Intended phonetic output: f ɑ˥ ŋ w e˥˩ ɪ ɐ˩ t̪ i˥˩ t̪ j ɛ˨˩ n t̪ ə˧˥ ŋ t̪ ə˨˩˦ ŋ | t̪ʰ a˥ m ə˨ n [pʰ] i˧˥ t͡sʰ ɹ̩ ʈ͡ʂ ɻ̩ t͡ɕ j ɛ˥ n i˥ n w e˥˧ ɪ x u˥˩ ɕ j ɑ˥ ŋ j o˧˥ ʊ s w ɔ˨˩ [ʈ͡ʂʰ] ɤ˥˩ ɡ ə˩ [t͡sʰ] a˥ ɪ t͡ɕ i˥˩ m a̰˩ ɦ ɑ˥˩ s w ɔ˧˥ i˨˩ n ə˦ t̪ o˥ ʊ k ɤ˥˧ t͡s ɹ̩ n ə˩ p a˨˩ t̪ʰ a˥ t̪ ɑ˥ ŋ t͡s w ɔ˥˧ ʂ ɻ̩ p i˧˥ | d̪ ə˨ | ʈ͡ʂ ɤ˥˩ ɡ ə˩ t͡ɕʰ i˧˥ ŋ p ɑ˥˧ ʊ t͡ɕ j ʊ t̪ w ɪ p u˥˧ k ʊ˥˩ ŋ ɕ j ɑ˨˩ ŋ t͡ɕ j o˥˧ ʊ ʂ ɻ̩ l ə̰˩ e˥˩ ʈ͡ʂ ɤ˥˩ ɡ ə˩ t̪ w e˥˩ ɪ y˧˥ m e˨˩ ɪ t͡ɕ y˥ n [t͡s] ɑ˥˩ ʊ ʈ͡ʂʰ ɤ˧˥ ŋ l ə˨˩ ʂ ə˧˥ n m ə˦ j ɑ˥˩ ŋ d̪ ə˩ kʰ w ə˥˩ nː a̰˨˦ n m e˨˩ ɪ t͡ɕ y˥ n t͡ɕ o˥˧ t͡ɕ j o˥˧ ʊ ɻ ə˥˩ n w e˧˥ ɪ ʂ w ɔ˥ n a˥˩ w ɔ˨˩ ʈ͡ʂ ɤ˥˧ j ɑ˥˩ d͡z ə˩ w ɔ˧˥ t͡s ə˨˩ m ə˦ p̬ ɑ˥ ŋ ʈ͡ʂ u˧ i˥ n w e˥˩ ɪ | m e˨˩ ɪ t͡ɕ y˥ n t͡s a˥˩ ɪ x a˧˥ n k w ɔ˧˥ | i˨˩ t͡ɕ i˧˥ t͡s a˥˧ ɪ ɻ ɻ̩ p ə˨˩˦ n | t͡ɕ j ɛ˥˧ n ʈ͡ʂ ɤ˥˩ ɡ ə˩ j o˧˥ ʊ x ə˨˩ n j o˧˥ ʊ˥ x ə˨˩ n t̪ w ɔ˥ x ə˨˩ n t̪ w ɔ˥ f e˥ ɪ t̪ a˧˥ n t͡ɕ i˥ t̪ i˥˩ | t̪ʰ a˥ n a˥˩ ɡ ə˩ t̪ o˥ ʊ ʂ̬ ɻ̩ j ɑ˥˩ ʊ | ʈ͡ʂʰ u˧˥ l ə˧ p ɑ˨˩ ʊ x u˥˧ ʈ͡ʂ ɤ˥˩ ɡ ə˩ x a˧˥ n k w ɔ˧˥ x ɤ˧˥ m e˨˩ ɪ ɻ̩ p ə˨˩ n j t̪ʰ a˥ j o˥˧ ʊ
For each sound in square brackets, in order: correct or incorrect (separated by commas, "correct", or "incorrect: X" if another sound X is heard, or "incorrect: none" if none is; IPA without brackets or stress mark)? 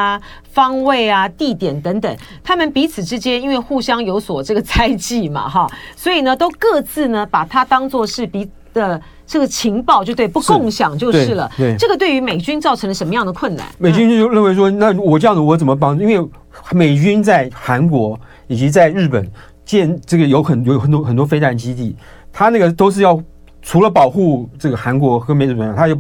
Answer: incorrect: p, incorrect: ʈ͡ʂ, correct, correct